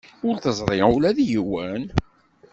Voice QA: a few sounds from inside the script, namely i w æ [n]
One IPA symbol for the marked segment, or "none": n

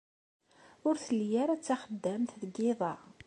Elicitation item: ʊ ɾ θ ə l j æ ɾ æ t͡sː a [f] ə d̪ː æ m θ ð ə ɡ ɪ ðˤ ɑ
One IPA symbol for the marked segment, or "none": χ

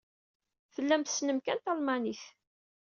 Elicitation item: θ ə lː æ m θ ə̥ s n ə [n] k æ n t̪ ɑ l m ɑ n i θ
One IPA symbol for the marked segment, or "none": m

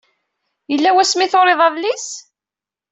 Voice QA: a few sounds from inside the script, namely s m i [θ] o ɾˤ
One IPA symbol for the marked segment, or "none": θ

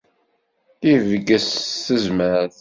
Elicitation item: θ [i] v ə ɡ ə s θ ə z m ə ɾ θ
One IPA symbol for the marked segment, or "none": i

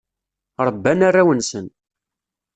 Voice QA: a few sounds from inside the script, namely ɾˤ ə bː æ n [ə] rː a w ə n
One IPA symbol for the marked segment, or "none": a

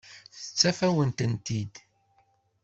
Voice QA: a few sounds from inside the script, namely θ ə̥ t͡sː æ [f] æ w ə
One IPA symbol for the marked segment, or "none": f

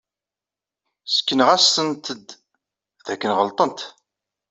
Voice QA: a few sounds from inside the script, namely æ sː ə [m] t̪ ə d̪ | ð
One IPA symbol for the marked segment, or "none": n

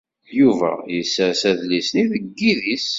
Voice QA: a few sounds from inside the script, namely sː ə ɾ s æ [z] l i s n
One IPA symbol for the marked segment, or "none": ð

